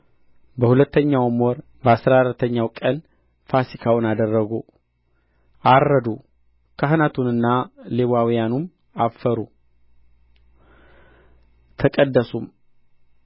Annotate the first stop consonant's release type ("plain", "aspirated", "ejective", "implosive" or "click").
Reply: plain